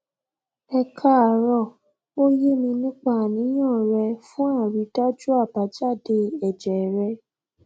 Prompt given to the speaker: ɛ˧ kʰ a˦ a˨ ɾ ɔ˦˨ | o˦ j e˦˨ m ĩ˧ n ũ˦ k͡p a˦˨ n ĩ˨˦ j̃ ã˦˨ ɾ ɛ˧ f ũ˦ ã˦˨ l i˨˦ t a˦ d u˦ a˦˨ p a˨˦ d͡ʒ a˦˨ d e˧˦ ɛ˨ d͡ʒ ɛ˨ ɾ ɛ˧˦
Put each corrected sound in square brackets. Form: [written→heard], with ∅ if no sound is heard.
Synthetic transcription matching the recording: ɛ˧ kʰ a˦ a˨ ɾ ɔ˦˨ | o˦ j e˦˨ m ĩ˧ n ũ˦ k͡p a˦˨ n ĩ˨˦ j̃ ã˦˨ ɾ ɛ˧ f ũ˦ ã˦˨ [l→ɾ] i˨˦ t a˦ [d→d͡ʒ] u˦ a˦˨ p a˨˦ d͡ʒ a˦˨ d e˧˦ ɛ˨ d͡ʒ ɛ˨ ɾ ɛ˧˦

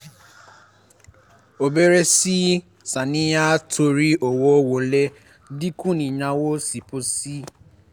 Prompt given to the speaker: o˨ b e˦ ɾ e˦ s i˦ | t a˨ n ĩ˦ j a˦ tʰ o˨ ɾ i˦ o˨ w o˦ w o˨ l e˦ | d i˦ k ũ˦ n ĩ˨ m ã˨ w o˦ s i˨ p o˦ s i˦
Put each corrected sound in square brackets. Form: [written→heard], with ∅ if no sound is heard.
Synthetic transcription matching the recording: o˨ b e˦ ɾ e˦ s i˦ | [t→s] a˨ n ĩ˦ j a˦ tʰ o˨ ɾ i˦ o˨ w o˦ w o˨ l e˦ | d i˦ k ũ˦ n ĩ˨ [m→ɲ] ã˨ w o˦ s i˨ p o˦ s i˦

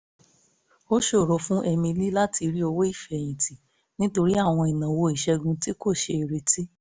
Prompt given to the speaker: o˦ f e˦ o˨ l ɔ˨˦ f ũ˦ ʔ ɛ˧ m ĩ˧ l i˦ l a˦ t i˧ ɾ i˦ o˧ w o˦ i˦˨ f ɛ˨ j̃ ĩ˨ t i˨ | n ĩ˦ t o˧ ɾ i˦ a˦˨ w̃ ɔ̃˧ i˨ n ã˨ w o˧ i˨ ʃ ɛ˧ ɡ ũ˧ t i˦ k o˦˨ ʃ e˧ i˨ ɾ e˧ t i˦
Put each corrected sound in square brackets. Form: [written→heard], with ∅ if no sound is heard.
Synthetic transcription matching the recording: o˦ [f→ʃ] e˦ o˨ [l→ɾ] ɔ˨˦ f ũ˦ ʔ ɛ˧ m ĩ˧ l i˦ l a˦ t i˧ ɾ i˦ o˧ w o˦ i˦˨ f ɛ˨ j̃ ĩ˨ t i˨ | n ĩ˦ t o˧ ɾ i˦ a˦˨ w̃ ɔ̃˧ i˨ n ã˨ w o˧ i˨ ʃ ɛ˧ ɡ ũ˧ t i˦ k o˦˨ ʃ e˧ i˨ ɾ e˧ t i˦

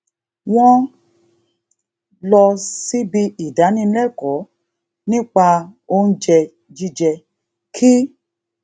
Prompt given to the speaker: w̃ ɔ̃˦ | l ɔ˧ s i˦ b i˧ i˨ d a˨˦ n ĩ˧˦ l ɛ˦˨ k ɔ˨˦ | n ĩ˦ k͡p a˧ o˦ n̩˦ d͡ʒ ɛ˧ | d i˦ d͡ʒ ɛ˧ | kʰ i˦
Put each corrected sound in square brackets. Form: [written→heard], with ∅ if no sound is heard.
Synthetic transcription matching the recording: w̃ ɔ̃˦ | l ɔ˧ s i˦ b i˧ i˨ d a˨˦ n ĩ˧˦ l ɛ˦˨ k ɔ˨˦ | n ĩ˦ k͡p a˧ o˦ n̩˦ d͡ʒ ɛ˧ | [d→d͡ʒ] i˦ d͡ʒ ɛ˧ | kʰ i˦

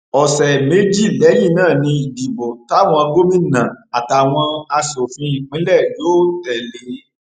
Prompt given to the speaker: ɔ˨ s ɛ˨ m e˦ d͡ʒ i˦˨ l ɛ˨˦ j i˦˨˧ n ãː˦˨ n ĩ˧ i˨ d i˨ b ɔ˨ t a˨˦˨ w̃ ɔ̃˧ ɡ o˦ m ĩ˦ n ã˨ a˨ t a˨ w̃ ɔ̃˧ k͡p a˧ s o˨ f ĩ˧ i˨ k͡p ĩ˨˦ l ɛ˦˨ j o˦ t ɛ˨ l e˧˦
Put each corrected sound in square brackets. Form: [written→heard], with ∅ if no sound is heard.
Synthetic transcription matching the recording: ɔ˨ s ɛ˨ m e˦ d͡ʒ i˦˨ l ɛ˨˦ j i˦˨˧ n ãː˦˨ n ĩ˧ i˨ d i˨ b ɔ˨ t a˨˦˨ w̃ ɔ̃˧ ɡ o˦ m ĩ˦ n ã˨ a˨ t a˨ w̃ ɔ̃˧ [k͡p→∅] a˧ s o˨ f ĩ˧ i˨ k͡p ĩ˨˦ l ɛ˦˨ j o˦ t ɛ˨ l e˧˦

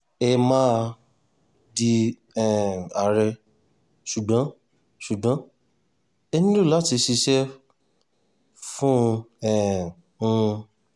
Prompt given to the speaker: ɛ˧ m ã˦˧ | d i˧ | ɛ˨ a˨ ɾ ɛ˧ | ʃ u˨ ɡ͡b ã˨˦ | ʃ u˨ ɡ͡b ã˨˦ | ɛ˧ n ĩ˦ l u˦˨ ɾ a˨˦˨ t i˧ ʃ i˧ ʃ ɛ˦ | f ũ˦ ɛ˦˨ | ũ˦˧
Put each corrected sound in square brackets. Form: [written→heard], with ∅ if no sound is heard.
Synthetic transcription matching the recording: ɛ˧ m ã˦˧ | d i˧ | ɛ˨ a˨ ɾ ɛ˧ | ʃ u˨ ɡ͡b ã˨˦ | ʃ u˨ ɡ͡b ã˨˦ | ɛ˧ n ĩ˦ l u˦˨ [ɾ→l] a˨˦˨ t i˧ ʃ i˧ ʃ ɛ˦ | f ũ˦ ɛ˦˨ | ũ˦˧

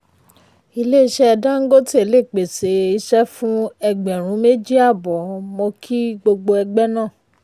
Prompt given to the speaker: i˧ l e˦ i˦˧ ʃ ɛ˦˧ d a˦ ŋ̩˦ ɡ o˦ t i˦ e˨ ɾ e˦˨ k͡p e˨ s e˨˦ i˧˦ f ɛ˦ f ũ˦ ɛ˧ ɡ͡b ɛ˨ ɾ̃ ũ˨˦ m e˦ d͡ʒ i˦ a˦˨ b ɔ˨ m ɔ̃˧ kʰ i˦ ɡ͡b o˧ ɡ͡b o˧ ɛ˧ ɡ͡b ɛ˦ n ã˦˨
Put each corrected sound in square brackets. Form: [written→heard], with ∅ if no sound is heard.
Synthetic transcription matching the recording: i˧ l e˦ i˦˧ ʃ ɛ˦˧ d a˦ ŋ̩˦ ɡ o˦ t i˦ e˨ [ɾ→l] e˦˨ k͡p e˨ s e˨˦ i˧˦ [f→ʃ] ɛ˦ f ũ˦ ɛ˧ ɡ͡b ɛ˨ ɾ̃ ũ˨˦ m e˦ d͡ʒ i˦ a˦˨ b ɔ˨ m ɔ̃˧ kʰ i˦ ɡ͡b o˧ ɡ͡b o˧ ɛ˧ ɡ͡b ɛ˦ n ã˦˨

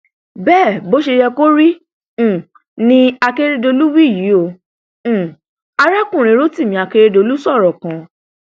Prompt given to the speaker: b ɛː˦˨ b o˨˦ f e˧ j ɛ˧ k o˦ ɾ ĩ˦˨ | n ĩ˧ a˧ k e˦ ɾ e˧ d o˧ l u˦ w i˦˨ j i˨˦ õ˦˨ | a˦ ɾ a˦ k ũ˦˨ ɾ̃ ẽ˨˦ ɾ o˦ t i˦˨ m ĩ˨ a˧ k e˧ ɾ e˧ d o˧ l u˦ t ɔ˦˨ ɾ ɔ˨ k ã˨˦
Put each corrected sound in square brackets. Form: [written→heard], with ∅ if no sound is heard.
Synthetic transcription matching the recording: b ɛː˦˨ b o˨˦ [f→ʃ] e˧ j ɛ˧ k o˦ ɾ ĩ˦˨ | n ĩ˧ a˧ k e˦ ɾ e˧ d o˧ l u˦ w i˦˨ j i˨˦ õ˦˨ | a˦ ɾ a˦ k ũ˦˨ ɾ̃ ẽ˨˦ ɾ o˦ t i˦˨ m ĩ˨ a˧ k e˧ ɾ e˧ d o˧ l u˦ [t→s] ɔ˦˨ ɾ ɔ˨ k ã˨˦

